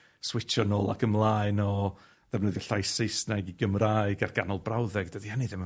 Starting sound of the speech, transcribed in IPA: s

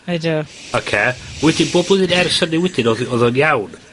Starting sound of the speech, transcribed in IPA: a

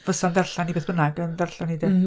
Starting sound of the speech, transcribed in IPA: v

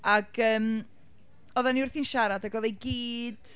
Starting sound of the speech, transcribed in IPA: a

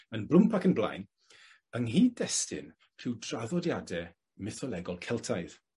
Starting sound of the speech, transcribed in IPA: ə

